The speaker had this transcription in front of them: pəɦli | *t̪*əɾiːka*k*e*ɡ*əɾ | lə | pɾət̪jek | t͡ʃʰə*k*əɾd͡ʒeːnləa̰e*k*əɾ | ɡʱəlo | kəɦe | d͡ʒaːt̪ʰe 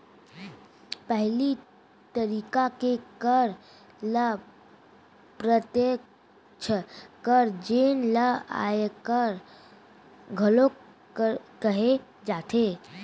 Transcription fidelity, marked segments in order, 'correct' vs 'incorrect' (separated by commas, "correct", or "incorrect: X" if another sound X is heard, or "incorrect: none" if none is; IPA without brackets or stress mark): correct, correct, incorrect: k, correct, correct